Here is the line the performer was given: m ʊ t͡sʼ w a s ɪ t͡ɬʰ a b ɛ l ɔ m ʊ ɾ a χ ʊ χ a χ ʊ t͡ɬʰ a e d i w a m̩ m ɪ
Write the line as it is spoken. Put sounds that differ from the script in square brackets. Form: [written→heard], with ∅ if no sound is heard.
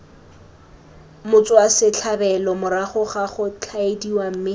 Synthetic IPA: m ʊ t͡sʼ w a s ɪ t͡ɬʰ a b ɛ l ɔ m ʊ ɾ a χ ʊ χ a χ ʊ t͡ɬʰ a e d i w a m̩ m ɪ

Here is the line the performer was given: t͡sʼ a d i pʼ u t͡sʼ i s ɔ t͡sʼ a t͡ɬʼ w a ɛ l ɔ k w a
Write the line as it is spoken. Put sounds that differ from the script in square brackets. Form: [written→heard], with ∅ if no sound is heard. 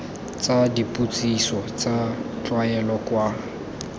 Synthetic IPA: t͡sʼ a d i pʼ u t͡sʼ i s ɔ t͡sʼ a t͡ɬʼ w a ɛ l ɔ k w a

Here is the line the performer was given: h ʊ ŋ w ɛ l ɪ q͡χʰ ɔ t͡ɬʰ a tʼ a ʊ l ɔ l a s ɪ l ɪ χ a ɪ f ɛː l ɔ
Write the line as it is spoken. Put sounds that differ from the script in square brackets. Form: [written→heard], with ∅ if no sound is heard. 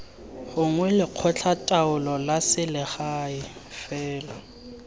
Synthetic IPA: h ʊ ŋ w ɛ l ɪ q͡χʰ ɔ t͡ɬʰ a tʼ a ʊ l ɔ l a s ɪ l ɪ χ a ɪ f ɛː l ɔ

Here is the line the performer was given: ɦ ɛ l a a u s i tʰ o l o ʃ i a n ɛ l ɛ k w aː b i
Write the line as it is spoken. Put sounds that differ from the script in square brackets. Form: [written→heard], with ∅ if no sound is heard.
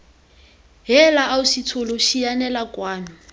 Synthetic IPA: ɦ ɛ l a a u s i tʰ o l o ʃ i a n ɛ l [ɛ→a] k w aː [b→m] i

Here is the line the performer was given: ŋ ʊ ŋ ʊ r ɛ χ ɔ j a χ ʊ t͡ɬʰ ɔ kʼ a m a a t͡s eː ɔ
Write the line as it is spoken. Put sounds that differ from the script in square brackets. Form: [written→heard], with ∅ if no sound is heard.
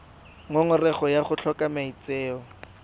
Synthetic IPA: ŋ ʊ ŋ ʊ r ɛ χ ɔ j a χ ʊ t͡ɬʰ ɔ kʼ a m a [a→i] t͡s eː ɔ

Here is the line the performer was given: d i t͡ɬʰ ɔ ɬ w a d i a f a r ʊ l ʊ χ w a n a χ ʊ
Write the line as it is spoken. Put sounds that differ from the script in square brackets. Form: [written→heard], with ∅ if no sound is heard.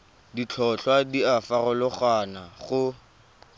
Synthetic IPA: d i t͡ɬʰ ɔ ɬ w a d i a f a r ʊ l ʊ χ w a n a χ ʊ

